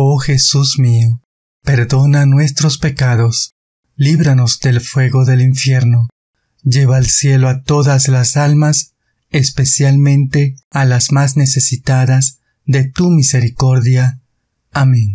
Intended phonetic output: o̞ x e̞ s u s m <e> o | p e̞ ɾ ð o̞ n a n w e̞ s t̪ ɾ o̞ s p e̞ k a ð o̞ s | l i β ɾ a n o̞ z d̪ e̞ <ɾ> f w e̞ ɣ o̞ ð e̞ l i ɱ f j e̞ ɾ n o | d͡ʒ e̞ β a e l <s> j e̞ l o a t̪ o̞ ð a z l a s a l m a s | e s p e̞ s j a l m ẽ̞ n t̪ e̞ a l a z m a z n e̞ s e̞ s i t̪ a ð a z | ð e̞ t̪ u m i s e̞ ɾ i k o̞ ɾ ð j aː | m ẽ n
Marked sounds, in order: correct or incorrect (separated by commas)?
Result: incorrect, incorrect, correct